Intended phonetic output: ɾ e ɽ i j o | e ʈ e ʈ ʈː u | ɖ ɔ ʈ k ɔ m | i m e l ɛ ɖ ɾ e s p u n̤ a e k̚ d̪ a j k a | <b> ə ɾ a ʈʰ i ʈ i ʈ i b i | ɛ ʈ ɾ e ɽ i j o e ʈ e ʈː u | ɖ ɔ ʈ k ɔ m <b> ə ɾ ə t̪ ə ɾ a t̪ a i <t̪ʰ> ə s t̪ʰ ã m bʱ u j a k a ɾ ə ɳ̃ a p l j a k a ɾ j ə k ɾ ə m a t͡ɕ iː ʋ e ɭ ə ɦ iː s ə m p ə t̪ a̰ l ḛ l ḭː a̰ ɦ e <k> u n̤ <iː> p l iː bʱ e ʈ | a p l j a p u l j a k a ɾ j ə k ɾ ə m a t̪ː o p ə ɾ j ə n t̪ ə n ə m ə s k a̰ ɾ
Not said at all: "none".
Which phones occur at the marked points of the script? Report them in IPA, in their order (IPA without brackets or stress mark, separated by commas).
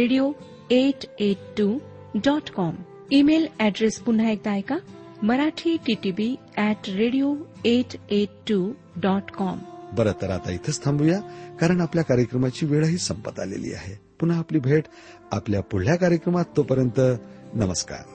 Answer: m, b, t̪ʰ, p, aː